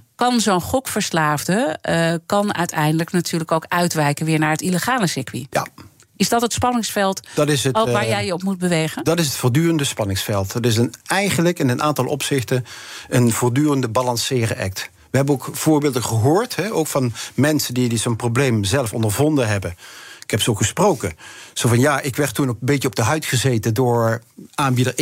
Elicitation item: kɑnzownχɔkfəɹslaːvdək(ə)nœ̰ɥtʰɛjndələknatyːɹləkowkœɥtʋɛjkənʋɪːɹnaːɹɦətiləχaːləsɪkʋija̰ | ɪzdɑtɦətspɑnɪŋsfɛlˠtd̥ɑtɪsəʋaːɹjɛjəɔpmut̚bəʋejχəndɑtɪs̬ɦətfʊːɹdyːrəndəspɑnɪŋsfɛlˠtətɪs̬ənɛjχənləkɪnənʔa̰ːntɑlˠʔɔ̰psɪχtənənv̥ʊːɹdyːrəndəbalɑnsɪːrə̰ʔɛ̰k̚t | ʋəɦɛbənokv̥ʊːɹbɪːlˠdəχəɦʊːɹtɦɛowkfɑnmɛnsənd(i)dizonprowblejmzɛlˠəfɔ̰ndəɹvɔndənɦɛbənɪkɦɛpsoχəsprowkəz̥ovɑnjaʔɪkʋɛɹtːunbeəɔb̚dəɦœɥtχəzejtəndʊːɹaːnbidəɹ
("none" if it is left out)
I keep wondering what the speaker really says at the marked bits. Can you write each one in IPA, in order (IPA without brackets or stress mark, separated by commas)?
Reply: ɑ, i